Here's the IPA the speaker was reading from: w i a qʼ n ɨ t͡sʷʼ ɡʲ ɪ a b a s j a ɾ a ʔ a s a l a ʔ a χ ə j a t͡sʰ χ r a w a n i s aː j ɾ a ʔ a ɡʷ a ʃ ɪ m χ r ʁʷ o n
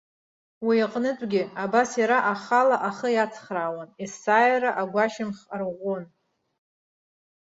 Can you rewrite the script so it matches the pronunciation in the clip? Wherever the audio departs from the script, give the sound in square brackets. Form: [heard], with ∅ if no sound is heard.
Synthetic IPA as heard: w i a qʼ n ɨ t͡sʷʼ ɡʲ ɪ a b a s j a ɾ a ʔ a [χ] a l a ʔ a χ ə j a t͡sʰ χ r a w a n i s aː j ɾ a ʔ a ɡʷ a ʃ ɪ m χ r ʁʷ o n